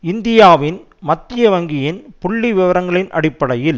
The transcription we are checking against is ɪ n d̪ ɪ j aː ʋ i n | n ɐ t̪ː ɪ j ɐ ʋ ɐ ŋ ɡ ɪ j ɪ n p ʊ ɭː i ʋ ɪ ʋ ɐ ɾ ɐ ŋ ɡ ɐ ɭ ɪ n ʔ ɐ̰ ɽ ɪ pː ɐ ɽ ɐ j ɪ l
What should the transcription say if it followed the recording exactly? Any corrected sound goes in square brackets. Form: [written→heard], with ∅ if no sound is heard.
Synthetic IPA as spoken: ɪ n d̪ ɪ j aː ʋ [i→ɪ] n | [n→m] ɐ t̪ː ɪ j ɐ ʋ ɐ ŋ ɡ ɪ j ɪ n p ʊ ɭː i ʋ ɪ ʋ ɐ ɾ ɐ ŋ ɡ ɐ ɭ ɪ n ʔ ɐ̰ ɽ ɪ pː ɐ ɽ ɐ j ɪ l